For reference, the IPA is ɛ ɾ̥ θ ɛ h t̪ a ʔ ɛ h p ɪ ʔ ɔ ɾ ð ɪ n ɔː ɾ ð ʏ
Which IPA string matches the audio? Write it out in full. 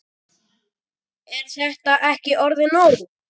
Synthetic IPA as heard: ɛ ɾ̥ θ ɛ h t̪ a ʔ ɛ h c ɪ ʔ ɔ ɾ ð ɪ n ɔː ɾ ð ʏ